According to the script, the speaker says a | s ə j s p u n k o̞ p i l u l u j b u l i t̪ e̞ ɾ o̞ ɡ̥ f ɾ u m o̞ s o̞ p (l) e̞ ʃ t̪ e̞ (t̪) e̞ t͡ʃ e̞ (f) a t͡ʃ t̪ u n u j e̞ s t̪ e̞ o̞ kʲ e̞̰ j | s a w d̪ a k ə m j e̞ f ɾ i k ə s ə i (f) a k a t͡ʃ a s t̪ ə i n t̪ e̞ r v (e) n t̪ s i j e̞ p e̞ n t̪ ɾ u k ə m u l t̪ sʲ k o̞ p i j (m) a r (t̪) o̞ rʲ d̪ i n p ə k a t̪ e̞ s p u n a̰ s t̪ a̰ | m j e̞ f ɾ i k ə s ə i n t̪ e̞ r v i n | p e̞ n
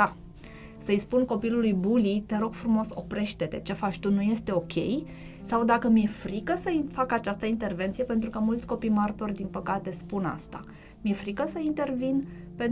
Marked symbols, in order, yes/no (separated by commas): no, yes, yes, yes, yes, yes, yes